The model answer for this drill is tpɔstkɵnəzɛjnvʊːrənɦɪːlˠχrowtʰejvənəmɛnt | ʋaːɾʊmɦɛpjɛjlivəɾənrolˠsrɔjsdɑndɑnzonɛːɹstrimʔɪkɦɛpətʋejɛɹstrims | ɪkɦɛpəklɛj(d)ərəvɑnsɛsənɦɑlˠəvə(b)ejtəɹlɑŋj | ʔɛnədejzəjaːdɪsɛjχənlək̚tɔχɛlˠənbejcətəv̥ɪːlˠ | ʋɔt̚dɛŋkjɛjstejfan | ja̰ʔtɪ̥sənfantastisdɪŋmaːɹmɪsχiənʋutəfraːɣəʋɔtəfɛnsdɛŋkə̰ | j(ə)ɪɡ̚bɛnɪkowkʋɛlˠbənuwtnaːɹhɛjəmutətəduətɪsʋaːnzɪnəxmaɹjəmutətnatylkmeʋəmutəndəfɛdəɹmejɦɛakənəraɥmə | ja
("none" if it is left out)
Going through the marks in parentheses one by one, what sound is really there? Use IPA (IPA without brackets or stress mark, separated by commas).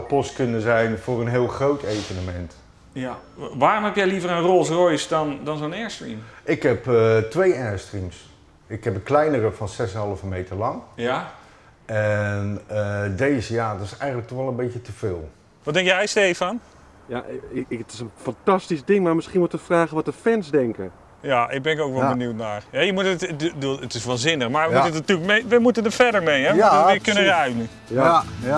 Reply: n, m, a